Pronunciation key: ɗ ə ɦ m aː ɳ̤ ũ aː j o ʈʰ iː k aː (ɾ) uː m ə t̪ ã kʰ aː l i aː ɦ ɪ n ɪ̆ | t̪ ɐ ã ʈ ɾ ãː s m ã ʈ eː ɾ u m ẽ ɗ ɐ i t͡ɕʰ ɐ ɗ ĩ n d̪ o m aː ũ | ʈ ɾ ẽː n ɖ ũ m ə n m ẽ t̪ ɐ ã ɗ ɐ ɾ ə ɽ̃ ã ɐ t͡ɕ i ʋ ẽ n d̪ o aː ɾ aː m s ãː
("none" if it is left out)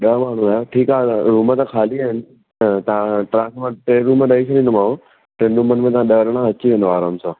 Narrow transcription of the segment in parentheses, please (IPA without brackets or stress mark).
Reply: ɾ